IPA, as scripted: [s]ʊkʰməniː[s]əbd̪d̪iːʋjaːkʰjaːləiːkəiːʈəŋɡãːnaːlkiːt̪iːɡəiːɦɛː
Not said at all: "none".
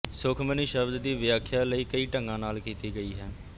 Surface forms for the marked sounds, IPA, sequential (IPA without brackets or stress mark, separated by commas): s, ʃ